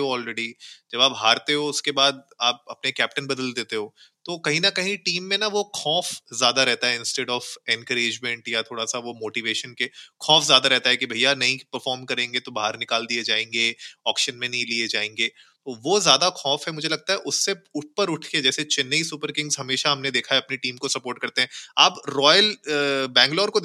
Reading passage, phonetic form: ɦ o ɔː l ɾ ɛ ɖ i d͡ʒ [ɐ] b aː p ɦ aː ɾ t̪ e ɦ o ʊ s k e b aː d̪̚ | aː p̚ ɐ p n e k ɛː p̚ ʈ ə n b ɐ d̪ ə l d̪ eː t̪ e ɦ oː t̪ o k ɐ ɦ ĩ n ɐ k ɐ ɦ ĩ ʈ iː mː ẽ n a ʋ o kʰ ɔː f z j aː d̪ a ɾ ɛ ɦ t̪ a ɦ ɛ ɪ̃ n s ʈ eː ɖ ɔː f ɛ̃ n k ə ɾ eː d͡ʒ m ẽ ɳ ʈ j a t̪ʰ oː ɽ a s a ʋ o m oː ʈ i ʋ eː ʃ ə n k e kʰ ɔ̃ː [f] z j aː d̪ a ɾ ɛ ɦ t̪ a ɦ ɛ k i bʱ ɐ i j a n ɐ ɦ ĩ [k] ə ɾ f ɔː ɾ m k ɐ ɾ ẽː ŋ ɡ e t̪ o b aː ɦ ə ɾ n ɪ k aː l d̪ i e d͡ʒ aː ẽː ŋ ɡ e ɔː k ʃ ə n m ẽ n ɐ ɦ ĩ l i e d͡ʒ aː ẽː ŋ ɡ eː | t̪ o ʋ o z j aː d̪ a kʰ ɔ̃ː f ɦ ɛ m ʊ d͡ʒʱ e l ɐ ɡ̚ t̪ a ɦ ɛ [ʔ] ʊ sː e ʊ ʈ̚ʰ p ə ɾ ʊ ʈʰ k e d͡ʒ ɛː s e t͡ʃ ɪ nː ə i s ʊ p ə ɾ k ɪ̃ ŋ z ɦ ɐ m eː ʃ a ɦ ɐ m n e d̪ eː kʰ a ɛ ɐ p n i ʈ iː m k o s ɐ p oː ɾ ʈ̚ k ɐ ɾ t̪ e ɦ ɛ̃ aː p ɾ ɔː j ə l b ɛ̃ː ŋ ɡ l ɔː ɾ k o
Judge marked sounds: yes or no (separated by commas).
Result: yes, yes, no, yes